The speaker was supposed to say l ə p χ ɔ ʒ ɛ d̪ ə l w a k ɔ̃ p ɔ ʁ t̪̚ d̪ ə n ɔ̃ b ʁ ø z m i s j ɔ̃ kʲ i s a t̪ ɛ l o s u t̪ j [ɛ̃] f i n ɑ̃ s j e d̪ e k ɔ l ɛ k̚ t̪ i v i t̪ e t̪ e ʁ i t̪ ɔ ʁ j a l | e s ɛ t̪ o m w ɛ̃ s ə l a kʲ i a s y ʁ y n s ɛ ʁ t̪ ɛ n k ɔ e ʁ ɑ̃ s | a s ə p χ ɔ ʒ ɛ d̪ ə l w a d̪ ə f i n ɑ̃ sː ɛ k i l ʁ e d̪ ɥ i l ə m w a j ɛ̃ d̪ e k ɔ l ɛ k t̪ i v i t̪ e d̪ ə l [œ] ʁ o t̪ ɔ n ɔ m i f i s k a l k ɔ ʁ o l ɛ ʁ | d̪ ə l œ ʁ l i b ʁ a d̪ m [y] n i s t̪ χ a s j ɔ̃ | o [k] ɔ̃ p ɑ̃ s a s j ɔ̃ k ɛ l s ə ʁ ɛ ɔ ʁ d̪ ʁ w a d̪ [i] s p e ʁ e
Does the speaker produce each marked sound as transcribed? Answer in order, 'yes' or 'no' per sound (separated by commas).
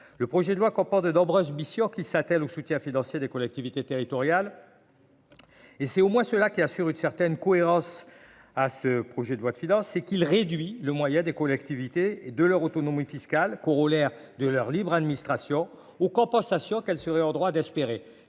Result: yes, yes, no, yes, no